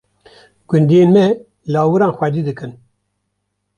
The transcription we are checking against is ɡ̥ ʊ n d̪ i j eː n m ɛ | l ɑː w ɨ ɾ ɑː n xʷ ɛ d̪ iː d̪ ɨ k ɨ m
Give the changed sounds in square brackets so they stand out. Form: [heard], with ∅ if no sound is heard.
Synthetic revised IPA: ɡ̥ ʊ n d̪ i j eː n m ɛ | l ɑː w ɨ ɾ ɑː n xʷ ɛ d̪ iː d̪ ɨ k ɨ [n]